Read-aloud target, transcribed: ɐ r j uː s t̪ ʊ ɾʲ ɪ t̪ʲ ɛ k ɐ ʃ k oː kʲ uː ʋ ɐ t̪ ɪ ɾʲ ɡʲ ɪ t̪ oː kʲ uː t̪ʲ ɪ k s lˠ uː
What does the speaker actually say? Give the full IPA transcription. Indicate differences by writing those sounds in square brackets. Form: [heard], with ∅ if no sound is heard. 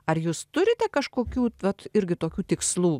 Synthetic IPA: ɐ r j uː s t̪ ʊ ɾʲ ɪ t̪ʲ ɛ k ɐ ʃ k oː kʲ uː ʋ ɐ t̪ ɪ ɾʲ ɡʲ ɪ t̪ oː kʲ uː t̪ʲ ɪ k s lˠ uː